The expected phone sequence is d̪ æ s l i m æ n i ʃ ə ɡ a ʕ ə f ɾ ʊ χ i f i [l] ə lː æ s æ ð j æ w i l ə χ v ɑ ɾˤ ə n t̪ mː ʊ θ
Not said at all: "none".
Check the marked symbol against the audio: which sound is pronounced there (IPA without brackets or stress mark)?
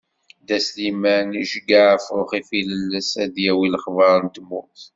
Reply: l